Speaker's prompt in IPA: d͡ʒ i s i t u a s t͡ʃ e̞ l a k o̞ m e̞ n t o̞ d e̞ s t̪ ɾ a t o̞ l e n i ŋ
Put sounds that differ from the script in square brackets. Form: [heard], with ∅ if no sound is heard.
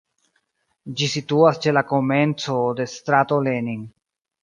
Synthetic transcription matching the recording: d͡ʒ i s i t u a s t͡ʃ e̞ l a k o̞ m e̞ n [t͡s] o̞ d e̞ s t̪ ɾ a t o̞ l e n i ŋ